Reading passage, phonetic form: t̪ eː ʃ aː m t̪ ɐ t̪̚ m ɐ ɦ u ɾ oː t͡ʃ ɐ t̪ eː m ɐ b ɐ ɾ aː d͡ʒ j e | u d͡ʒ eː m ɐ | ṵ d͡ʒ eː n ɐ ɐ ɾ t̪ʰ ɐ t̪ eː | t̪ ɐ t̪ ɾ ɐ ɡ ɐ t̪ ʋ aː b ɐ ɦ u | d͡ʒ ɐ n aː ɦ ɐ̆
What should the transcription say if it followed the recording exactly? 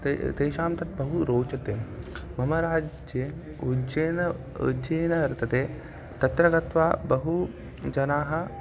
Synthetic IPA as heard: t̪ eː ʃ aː m t̪ ɐ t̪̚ b ɐ ɦ u ɾ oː t͡ʃ ɐ t̪ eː m ɐ m ɐ ɾ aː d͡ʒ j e | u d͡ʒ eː n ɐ | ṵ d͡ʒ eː n ɐ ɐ ɾ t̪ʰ ɐ t̪ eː | t̪ ɐ t̪ ɾ ɐ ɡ ɐ t̪ ʋ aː b ɐ ɦ u | d͡ʒ ɐ n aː ɦ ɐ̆